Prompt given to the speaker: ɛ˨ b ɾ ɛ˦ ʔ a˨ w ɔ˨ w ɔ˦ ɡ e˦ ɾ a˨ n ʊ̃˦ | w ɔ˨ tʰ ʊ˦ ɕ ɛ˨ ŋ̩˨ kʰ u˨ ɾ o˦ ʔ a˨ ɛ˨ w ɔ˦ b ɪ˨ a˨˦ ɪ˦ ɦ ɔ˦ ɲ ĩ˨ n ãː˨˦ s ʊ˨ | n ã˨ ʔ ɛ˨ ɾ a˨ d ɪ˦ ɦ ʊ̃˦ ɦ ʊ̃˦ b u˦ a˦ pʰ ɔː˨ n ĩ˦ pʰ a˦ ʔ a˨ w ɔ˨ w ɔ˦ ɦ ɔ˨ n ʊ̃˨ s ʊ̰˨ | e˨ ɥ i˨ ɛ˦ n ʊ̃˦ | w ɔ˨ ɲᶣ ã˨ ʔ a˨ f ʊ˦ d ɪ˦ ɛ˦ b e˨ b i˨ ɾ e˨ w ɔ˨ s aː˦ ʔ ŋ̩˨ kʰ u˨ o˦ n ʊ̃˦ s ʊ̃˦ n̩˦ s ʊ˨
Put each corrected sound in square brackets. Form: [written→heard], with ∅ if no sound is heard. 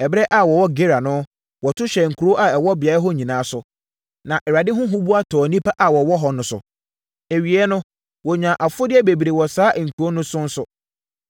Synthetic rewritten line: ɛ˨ b ɾ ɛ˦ ʔ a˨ w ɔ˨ w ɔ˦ ɡ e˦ ɾ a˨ n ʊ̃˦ | w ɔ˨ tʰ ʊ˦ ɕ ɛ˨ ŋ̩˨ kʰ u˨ ɾ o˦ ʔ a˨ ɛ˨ w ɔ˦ b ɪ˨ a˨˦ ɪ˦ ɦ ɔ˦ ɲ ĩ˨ n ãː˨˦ s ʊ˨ | n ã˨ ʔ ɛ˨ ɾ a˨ d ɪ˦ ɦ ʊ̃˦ ɦ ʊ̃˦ b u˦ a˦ [pʰ→tʰ] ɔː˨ n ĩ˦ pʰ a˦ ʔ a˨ w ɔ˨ w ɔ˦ ɦ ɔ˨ n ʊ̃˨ s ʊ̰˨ | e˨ ɥ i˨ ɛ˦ n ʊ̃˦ | w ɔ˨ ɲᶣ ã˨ ʔ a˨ f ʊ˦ d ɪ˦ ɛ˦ b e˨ b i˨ ɾ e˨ w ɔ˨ s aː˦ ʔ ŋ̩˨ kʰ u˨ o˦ n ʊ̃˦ s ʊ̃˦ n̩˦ s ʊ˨